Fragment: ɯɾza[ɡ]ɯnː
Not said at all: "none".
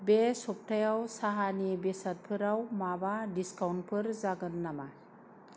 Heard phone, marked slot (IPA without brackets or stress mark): ɡ